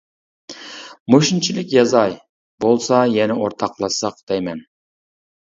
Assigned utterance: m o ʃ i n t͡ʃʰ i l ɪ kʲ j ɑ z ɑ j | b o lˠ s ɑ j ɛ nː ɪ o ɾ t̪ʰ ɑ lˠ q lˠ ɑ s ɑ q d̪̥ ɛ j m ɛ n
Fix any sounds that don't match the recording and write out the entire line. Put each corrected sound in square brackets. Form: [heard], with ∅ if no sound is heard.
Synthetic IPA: m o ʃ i n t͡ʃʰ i l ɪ kʲ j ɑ z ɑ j | b o lˠ s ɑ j ɛ [n] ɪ o ɾ t̪ʰ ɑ [∅] q lˠ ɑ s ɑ q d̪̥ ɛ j m ɛ n